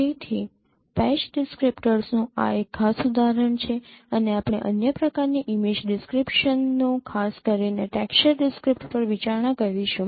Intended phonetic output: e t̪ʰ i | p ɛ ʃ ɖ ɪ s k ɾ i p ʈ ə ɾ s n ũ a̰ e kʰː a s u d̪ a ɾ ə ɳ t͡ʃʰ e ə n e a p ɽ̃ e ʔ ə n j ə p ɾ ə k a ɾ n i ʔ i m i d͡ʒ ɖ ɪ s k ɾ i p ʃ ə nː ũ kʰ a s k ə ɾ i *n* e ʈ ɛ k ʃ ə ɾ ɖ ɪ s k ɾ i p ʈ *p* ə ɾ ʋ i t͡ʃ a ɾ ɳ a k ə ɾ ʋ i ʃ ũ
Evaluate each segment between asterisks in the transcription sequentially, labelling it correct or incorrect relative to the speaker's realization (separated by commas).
correct, correct